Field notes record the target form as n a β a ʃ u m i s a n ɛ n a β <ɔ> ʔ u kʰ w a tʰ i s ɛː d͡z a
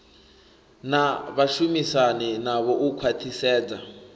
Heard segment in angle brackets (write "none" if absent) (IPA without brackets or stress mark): ɔ